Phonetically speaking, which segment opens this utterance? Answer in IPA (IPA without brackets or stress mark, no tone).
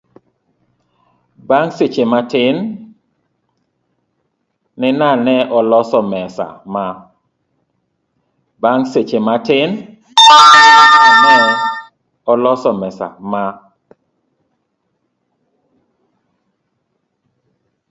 b